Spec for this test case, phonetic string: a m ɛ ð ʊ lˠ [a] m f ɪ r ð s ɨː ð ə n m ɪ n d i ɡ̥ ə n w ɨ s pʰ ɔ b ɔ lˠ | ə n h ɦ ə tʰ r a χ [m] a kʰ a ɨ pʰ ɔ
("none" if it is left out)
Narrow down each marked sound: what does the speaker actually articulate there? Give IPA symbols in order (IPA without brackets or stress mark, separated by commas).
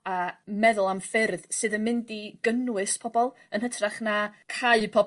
a, n